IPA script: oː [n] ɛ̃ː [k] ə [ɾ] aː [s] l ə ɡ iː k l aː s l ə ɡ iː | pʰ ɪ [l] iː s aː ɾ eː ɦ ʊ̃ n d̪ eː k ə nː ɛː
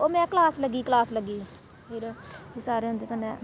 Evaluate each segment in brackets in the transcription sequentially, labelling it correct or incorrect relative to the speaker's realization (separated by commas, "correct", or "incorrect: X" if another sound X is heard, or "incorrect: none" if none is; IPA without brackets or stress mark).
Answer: incorrect: m, correct, incorrect: l, correct, incorrect: ɾ